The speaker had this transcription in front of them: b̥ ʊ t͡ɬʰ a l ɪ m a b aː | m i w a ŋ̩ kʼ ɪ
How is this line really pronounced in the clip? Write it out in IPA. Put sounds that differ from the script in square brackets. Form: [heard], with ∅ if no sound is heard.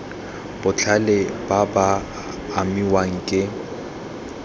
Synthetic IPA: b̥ ʊ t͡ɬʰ a l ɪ [b] a b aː | m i w a ŋ̩ kʼ ɪ